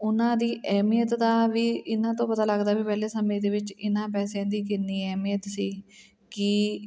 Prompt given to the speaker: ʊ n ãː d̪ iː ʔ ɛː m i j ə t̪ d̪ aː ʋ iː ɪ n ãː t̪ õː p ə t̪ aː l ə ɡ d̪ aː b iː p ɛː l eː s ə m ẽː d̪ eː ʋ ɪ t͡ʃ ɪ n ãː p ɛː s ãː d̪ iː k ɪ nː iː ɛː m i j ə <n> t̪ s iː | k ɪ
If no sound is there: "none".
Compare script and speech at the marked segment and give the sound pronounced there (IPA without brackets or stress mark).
none